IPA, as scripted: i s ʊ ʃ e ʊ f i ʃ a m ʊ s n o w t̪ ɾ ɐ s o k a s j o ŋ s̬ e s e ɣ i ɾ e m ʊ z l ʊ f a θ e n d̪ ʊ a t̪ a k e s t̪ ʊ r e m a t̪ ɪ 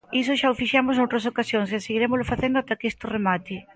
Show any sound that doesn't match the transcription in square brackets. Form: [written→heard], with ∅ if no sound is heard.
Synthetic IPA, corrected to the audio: i s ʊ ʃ [e→a] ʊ f i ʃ a m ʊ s n o w t̪ ɾ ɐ s o k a s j o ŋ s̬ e s e ɣ i ɾ e m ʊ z l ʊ f a θ e n d̪ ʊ a t̪ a k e s t̪ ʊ r e m a t̪ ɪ